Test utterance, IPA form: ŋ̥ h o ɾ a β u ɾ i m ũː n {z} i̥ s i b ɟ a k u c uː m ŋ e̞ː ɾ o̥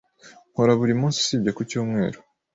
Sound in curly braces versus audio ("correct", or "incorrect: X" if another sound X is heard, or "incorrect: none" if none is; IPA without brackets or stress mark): incorrect: s